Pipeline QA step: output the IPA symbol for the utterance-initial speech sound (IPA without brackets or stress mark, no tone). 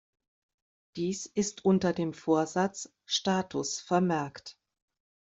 d̥